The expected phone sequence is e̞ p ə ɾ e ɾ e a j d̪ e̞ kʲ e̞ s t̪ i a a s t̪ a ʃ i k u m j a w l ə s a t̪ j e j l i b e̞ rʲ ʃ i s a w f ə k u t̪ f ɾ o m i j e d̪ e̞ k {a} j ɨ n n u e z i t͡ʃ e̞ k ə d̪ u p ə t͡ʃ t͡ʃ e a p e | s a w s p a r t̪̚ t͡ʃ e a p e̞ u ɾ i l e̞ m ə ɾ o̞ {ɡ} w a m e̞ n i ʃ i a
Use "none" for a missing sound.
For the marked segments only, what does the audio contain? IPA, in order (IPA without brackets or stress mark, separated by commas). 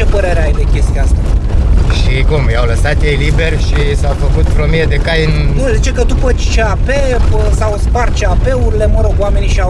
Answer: a, ɡ